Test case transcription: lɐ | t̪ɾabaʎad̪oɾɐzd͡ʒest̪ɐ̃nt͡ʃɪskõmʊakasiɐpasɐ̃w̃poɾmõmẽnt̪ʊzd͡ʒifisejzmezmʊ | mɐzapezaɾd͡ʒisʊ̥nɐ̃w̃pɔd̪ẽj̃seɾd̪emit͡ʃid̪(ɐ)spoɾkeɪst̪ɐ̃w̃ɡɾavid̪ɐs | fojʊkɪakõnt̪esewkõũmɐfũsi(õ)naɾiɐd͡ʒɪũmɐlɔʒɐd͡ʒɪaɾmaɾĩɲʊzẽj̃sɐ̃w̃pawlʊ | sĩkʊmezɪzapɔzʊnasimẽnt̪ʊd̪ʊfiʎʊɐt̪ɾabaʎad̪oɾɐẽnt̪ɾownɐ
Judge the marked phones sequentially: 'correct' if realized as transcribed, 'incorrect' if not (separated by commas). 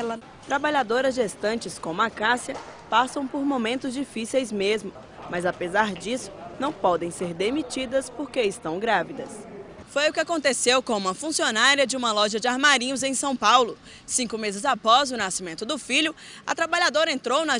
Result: correct, incorrect